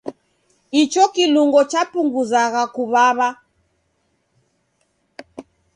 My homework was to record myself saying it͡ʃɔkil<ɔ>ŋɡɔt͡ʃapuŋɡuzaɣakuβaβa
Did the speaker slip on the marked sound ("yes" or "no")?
yes